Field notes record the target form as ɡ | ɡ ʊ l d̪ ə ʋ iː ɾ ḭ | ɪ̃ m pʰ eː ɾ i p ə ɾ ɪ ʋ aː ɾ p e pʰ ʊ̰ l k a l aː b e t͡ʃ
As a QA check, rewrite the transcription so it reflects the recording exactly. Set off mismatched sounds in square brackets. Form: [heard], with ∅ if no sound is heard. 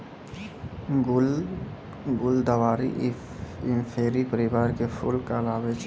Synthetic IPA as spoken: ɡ | ɡ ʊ l d̪ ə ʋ [aː] ɾ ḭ | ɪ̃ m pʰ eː ɾ i p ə ɾ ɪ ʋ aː ɾ [k] e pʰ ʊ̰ l k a l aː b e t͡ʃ